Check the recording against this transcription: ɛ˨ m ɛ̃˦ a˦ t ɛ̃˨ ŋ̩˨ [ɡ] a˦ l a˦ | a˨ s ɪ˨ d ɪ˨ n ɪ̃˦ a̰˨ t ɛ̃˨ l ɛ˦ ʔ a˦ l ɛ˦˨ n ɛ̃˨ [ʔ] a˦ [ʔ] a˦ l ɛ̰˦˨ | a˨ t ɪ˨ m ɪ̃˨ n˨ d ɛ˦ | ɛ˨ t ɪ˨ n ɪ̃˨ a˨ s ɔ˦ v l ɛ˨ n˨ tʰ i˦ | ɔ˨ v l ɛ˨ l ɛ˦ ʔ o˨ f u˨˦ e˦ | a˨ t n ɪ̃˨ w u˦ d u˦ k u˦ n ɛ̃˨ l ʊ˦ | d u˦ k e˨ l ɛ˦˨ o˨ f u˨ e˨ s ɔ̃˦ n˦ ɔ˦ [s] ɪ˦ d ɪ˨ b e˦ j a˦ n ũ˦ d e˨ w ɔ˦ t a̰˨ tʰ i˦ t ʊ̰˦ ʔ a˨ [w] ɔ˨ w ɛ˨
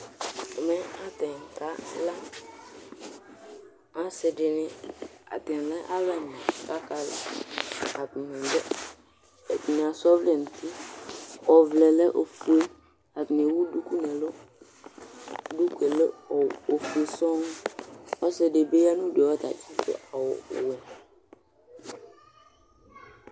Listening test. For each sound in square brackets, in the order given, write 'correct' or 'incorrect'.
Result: incorrect: k, incorrect: k, incorrect: k, correct, correct

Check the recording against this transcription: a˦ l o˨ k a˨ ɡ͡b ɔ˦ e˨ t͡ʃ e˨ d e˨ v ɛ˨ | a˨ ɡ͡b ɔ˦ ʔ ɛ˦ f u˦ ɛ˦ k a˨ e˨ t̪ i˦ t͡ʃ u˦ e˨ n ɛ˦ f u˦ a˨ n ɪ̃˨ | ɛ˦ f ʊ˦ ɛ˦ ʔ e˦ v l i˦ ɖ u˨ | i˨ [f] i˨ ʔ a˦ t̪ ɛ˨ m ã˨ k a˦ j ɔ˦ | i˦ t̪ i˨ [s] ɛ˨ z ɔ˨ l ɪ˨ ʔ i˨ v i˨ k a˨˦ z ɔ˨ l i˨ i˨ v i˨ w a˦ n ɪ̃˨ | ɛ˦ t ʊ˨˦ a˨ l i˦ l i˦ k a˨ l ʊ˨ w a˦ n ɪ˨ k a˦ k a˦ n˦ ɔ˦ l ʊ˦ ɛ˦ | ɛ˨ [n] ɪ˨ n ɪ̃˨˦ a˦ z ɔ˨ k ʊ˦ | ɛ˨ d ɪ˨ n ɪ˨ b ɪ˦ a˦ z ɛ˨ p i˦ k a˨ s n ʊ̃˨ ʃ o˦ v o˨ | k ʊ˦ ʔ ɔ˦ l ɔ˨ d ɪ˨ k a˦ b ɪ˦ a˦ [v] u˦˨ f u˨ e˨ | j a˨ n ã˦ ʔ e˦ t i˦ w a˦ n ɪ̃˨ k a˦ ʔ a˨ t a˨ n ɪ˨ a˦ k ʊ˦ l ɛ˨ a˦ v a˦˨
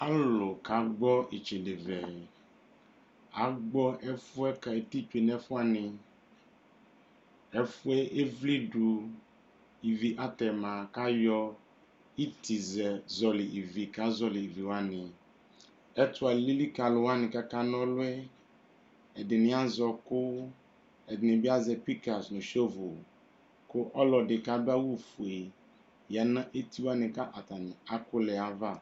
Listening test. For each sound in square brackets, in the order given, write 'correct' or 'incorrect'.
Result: incorrect: v, incorrect: z, incorrect: d, incorrect: w

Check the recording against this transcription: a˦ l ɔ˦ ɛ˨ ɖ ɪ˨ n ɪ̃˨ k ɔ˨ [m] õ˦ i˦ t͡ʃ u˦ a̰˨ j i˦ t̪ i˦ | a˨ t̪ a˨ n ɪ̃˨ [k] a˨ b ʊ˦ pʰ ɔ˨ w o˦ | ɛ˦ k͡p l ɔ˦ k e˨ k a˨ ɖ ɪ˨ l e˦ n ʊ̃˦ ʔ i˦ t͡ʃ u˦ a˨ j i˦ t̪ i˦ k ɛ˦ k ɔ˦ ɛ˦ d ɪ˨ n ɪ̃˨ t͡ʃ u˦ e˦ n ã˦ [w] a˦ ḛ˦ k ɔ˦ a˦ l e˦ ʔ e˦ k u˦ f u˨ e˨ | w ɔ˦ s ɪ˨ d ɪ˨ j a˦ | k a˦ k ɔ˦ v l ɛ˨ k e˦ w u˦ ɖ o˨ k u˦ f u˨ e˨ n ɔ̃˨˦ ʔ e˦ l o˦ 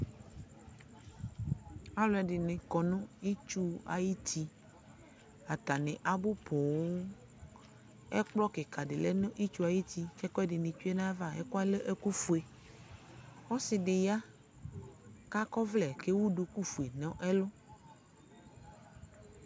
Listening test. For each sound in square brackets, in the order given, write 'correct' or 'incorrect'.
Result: incorrect: n, incorrect: ʔ, incorrect: v

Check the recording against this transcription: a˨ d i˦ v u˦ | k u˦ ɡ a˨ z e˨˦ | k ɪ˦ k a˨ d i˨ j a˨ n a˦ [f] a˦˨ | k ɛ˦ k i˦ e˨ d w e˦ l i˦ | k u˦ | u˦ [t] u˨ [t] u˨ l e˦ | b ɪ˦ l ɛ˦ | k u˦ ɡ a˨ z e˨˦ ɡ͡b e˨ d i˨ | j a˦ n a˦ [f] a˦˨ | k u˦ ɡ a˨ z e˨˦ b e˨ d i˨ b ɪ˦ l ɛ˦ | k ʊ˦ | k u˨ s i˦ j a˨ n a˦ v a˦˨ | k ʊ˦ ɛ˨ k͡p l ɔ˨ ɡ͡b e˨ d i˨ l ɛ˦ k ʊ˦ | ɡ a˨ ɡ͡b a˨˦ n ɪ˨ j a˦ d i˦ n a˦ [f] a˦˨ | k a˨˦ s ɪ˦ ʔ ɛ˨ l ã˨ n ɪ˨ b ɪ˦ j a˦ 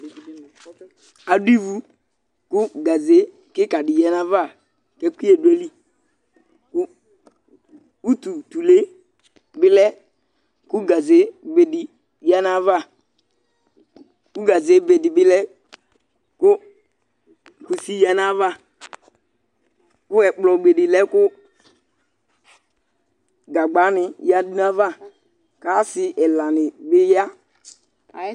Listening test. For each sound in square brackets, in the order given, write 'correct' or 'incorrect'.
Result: incorrect: v, correct, correct, incorrect: v, incorrect: v

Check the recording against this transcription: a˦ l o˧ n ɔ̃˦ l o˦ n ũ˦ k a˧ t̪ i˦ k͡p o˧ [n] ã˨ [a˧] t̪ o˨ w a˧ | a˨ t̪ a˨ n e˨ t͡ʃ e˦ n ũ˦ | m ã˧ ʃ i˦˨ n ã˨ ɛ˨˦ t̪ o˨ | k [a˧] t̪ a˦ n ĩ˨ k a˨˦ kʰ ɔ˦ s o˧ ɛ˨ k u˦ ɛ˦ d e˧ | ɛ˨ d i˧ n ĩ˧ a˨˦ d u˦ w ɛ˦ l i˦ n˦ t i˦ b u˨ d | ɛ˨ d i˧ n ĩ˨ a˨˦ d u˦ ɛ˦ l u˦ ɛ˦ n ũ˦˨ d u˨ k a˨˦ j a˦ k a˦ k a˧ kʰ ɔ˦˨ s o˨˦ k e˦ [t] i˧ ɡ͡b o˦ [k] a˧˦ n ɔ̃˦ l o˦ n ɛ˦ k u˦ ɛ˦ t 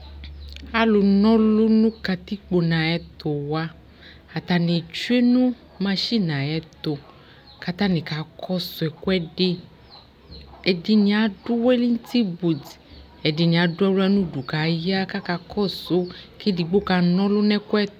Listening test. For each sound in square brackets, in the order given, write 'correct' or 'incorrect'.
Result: correct, incorrect: ɛ˧, correct, incorrect: d, correct

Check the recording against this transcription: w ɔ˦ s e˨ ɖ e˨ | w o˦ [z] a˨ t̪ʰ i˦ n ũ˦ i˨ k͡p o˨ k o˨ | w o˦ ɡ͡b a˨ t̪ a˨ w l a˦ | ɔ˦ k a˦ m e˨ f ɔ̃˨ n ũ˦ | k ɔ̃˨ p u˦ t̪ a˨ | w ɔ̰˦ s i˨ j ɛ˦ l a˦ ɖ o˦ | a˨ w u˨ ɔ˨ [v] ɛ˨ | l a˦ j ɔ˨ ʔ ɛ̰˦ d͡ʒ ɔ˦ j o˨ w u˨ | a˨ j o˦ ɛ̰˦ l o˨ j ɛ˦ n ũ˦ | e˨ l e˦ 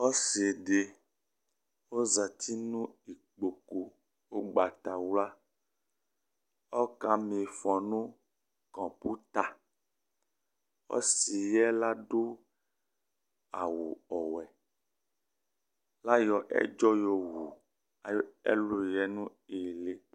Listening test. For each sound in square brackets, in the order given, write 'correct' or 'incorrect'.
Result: correct, incorrect: w

